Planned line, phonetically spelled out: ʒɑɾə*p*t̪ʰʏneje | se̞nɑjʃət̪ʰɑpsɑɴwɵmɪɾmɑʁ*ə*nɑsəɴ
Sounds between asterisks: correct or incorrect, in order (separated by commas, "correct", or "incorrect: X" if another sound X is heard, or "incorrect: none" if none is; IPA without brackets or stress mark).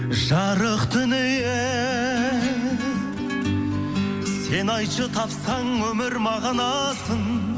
incorrect: q, incorrect: ɑ